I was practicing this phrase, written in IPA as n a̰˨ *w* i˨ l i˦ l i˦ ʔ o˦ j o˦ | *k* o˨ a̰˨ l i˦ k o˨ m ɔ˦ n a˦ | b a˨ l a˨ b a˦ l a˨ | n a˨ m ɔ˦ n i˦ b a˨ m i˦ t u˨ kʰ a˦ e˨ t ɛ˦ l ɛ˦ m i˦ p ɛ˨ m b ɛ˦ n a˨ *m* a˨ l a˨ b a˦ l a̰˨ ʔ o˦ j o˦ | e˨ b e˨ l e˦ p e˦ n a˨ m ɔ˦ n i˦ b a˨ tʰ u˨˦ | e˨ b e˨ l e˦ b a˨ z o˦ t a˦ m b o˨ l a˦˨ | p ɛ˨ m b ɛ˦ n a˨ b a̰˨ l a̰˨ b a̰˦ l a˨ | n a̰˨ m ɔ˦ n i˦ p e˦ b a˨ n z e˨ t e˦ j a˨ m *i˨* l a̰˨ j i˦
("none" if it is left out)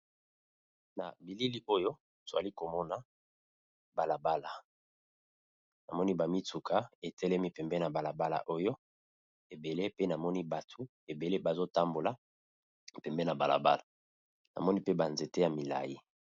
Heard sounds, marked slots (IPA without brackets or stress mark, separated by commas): b, t, b, i˨